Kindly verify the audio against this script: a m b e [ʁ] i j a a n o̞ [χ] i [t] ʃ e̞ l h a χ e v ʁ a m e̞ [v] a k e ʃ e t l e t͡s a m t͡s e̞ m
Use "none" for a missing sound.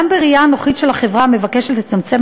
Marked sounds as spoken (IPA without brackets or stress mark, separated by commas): ʁ, χ, t, v